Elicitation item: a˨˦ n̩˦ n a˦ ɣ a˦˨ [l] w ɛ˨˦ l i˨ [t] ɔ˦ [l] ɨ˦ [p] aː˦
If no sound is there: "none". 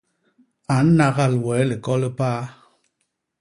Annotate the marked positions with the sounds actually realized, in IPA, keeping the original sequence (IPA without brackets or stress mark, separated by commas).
l, k, l, p